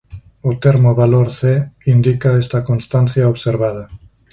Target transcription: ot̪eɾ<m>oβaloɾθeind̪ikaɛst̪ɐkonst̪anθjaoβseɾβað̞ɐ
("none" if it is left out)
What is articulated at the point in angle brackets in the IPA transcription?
m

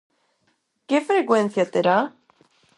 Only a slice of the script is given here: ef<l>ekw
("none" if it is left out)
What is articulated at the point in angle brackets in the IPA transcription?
ɾ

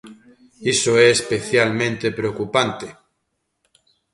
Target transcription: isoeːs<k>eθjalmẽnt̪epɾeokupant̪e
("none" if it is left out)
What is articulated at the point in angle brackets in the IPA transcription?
p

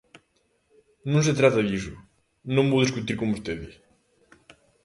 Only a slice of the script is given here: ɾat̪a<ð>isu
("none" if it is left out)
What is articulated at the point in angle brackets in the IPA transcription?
ð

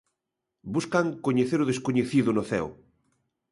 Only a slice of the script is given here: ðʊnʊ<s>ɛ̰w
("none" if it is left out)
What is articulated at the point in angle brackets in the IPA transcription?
θ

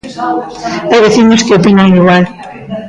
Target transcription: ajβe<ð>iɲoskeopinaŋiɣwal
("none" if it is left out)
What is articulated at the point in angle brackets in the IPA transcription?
θ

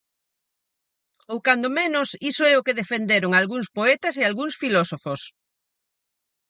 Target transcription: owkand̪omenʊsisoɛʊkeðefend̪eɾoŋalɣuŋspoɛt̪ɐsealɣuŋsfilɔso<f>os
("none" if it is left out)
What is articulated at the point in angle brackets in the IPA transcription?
f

